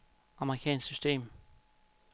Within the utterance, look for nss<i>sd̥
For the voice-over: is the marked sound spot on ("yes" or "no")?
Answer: no